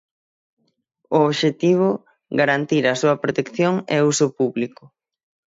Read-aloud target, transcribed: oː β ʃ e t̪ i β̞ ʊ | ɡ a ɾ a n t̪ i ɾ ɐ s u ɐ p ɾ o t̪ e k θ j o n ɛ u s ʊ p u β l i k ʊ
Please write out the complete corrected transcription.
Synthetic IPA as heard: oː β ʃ e t̪ i β̞ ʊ | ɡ a ɾ a n t̪ i ɾ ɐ s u ɐ p ɾ o t̪ e k θ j o ŋ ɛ u s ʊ p u β l i k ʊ